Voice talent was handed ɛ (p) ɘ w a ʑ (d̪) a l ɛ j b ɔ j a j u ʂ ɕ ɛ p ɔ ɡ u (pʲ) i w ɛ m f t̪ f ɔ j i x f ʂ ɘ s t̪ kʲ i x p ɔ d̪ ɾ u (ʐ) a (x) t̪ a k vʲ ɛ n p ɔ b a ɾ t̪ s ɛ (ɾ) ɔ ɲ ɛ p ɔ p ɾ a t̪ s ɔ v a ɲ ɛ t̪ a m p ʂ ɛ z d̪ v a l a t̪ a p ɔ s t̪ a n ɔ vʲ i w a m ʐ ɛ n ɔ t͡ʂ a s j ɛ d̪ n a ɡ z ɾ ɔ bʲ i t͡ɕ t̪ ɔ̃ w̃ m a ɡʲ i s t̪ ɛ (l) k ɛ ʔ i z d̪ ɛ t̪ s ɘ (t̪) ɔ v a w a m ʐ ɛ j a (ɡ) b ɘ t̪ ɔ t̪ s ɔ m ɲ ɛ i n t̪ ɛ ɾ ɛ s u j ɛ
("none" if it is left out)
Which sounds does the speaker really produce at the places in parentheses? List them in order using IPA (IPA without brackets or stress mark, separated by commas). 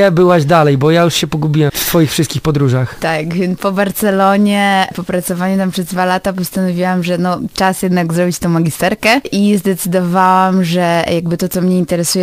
b, d̪, bʲ, ʐ, x, l, ɾ, d̪, ɡ